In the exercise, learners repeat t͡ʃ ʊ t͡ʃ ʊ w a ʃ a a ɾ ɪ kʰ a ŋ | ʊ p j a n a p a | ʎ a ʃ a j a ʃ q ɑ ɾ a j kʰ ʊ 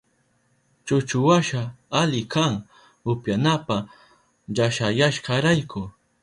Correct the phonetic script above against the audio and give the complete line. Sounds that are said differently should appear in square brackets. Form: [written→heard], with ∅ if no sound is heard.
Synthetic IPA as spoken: t͡ʃ ʊ t͡ʃ ʊ w a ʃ a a [ɾ→l] ɪ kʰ a ŋ | ʊ p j a n a p a | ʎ a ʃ a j a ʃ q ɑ ɾ a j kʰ ʊ